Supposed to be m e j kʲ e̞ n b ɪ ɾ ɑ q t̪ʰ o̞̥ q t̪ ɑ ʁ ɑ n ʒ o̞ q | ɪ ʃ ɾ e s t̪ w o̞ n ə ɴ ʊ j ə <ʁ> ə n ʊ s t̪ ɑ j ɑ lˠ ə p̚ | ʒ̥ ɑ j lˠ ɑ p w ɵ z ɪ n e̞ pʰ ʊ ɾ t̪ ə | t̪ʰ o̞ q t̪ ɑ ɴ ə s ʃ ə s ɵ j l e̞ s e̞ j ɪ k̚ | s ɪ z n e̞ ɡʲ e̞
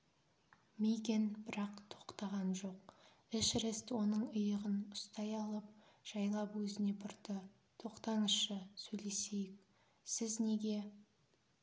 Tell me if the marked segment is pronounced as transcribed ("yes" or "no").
yes